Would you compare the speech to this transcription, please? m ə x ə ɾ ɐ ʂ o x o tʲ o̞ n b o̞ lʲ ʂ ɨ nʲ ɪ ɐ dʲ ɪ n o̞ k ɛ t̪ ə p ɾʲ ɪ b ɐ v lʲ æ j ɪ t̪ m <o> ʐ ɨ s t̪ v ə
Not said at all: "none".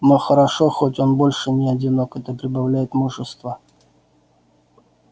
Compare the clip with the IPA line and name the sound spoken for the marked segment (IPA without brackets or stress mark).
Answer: u